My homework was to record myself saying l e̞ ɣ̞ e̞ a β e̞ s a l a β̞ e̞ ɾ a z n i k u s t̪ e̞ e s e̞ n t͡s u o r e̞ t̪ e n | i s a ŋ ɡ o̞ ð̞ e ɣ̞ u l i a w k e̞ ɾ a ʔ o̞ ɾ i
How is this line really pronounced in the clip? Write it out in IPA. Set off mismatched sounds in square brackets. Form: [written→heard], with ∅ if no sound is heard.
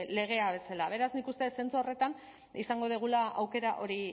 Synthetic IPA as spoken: l e̞ ɣ̞ e̞ a β e̞ s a l a β̞ e̞ ɾ a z n i k u s t̪ e̞ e s e̞ n t͡s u o r e̞ t̪ [e→a] n | i s a ŋ ɡ o̞ ð̞ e ɣ̞ u l [i→a] a w k e̞ ɾ a ʔ o̞ ɾ i